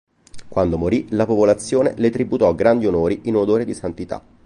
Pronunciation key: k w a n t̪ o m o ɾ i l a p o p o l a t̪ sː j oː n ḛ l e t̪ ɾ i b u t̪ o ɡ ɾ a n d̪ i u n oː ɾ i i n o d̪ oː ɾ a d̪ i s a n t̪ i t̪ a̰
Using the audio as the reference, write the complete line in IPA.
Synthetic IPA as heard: k w a n d̪ o m o ɾ i l a p o p o l a t̪ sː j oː n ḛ l e t̪ ɾ i b u t̪ ɔ ɡ ɾ a n d̪ i o n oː ɾ i i n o d̪ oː ɾ e d̪ i s a n t̪ i t̪ a̰